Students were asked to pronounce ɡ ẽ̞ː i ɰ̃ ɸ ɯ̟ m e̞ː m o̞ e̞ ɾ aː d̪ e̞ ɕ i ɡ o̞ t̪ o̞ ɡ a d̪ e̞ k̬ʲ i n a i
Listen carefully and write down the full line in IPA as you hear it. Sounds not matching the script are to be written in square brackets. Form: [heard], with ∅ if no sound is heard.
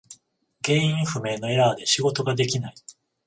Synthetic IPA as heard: ɡ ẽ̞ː [ĩ] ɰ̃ ɸ ɯ̟ m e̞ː [n] o̞ e̞ ɾ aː d̪ e̞ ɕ i ɡ o̞ t̪ o̞ ɡ a d̪ e̞ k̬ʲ i n a i